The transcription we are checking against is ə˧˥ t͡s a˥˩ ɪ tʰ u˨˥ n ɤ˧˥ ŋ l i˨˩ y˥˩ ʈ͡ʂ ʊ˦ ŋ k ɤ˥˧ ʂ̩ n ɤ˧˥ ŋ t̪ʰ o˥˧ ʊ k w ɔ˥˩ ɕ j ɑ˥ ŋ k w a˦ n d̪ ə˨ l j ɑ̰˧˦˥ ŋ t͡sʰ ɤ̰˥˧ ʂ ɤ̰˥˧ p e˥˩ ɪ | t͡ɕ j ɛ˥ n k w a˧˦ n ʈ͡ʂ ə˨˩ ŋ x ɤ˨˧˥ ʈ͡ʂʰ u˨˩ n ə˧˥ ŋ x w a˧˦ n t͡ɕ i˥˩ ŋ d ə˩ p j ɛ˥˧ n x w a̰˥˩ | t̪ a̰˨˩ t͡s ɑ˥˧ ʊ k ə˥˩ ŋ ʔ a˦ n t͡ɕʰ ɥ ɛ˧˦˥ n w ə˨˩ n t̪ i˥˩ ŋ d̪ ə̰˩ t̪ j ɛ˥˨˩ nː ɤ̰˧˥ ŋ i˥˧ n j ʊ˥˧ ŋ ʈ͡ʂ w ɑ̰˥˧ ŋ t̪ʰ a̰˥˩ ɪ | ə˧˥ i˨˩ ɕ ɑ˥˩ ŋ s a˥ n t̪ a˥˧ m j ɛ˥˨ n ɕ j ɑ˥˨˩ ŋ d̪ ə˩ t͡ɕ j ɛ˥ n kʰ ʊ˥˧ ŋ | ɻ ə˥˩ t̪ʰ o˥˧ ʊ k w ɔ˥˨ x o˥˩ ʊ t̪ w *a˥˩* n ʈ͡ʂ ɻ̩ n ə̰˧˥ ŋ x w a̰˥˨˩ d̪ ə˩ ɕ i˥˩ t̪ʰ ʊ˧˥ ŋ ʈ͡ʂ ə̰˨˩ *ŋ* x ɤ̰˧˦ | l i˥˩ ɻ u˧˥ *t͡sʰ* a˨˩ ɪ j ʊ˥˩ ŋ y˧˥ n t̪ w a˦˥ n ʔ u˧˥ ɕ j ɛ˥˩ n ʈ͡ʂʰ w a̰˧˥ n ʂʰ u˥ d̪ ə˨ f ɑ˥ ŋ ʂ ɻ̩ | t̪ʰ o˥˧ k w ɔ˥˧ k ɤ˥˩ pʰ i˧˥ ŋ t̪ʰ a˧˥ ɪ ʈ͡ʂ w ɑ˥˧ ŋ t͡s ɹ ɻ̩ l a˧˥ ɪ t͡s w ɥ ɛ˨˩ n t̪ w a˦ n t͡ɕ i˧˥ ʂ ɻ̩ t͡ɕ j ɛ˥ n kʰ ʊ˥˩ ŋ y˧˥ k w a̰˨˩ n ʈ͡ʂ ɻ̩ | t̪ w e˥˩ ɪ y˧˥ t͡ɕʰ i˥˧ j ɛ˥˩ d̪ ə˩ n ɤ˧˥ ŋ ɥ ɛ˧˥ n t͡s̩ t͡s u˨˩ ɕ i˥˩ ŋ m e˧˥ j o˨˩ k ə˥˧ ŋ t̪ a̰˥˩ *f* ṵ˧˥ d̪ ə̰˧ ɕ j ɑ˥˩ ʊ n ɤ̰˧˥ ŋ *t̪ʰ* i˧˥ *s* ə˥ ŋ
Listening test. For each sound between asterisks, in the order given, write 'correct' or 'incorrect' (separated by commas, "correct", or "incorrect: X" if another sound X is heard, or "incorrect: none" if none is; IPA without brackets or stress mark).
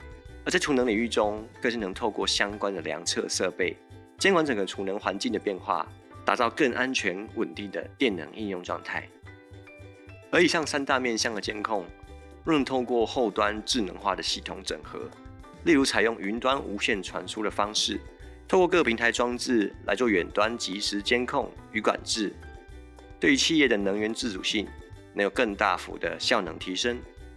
incorrect: a˦, correct, correct, correct, correct, incorrect: ʂ